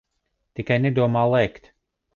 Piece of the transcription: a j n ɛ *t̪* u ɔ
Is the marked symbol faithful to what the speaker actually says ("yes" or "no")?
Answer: no